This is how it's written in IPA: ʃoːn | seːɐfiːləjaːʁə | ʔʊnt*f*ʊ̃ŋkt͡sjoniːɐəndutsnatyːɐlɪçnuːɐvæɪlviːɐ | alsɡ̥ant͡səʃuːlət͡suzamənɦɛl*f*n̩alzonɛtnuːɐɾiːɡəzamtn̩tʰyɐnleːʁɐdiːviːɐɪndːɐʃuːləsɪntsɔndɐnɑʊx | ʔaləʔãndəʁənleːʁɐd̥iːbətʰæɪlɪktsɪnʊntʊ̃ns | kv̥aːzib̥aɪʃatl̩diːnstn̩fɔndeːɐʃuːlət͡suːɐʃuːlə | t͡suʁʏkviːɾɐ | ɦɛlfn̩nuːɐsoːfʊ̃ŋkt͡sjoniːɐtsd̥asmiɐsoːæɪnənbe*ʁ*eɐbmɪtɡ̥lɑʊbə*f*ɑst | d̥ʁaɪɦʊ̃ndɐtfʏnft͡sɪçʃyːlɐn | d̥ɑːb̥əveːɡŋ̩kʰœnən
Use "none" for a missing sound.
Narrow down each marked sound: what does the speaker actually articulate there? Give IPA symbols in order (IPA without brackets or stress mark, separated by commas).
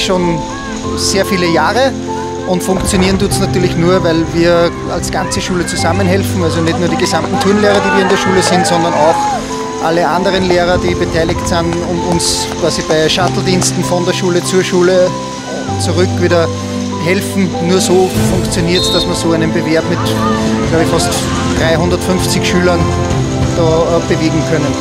f, f, v, f